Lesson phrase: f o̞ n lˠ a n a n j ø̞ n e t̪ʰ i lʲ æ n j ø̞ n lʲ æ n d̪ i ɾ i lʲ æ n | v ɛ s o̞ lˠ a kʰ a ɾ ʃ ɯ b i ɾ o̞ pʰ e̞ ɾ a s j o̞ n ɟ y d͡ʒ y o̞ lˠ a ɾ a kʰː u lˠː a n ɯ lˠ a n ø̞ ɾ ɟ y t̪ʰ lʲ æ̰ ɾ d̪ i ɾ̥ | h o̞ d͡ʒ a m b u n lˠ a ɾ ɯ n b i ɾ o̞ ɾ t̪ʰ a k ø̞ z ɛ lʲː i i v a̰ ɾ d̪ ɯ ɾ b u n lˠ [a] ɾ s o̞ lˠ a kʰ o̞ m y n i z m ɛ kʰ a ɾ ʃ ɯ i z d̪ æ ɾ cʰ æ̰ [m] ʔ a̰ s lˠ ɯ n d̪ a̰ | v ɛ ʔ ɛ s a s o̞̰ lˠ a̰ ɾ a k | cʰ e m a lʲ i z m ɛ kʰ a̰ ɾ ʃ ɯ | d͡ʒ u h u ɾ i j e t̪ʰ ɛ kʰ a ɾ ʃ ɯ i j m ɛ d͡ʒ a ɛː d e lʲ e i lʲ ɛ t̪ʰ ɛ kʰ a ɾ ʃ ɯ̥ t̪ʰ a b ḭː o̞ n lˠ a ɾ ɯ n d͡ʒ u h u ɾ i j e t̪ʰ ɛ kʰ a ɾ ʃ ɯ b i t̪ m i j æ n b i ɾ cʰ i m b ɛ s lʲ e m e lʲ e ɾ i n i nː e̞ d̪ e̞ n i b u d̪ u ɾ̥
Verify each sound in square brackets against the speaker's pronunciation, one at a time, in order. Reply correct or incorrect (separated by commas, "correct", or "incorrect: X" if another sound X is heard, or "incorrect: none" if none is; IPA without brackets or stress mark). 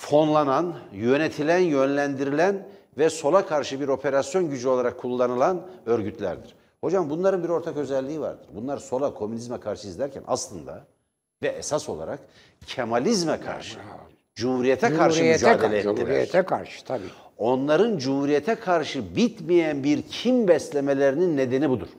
correct, incorrect: n